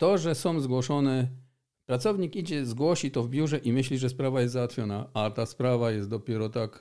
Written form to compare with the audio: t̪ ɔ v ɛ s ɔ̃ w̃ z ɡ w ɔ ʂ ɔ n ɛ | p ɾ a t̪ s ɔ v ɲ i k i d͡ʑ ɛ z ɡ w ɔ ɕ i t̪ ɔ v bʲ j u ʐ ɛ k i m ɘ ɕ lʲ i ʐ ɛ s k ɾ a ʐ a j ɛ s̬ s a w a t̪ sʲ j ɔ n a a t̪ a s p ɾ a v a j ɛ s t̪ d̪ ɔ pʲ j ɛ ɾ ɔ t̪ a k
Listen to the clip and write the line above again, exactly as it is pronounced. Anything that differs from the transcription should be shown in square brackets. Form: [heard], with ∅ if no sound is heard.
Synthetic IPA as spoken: t̪ ɔ [ʐ] ɛ s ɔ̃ w̃ z ɡ w ɔ ʂ ɔ n ɛ | p ɾ a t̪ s ɔ v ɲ i k i d͡ʑ ɛ z ɡ w ɔ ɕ i t̪ ɔ v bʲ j u ʐ ɛ [ʔ] i m ɘ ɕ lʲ i ʐ ɛ s [p] ɾ a [v] a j ɛ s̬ [z] a w a t̪ [fʲ] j ɔ n a a t̪ a s p ɾ a v a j ɛ s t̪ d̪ ɔ pʲ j ɛ ɾ ɔ t̪ a k